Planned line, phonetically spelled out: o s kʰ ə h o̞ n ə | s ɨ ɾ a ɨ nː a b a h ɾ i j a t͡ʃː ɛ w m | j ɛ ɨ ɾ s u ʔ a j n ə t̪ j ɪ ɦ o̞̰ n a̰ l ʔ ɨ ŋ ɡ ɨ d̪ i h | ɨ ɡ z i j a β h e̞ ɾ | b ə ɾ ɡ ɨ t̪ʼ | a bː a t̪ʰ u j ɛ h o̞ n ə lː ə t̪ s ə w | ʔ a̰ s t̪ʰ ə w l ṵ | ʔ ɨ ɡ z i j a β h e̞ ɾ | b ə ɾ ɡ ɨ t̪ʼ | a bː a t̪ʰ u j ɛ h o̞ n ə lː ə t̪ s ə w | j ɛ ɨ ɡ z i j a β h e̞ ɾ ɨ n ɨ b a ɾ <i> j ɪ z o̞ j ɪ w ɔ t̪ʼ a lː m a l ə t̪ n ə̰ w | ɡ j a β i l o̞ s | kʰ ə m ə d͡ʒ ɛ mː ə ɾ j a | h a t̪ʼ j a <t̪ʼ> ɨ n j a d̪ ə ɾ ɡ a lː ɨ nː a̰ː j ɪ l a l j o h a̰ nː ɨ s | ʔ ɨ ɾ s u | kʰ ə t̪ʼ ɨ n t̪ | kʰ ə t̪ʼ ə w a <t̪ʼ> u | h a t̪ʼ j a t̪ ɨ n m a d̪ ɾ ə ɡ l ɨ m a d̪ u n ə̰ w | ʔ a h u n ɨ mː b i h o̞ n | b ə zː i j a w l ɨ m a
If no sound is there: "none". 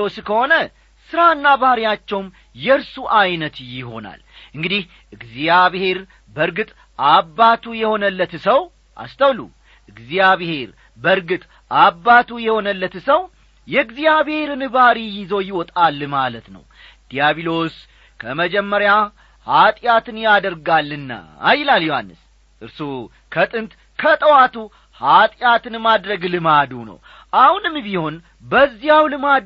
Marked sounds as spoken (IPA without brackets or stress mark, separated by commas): i, t̪, t̪